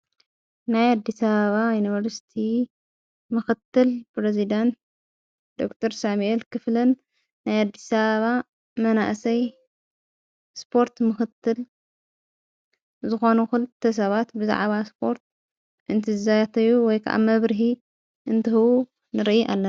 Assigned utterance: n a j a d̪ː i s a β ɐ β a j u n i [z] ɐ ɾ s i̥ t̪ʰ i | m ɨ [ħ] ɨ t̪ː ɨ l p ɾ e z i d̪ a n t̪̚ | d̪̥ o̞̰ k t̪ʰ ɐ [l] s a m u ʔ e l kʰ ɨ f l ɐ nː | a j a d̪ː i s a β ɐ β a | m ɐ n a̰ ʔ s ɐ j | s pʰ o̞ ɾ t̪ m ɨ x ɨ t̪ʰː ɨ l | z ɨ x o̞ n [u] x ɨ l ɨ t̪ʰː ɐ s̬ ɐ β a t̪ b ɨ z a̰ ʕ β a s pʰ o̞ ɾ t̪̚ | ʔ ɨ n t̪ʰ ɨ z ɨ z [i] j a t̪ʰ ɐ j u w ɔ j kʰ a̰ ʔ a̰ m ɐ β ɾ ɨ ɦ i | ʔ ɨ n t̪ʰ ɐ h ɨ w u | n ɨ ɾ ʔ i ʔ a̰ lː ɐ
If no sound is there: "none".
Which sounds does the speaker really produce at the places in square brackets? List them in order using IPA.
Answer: v, x, ɾ, u, a

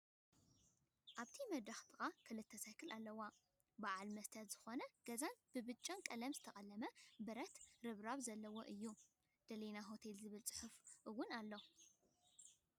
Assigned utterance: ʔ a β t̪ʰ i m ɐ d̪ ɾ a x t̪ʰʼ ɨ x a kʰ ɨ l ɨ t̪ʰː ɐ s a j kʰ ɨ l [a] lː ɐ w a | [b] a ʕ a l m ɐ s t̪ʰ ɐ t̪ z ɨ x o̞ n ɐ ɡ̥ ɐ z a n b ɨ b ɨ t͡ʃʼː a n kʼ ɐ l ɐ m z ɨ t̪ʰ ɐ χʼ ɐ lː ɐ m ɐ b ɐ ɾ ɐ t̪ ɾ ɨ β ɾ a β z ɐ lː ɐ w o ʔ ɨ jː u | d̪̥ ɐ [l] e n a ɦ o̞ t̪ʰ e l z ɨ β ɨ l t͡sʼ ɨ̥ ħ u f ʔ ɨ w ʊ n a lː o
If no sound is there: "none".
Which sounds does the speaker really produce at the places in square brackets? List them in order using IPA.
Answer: a, b, l

